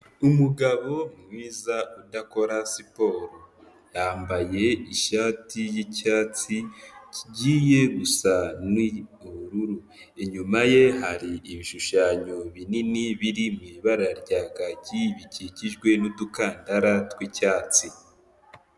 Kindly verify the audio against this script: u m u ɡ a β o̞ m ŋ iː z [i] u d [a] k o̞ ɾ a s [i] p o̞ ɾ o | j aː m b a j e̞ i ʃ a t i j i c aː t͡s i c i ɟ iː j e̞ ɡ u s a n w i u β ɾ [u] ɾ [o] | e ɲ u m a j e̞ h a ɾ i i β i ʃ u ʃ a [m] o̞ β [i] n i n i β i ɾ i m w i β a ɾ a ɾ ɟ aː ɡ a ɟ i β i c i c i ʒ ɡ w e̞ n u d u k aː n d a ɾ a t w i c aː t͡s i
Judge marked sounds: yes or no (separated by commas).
no, yes, yes, yes, no, no, yes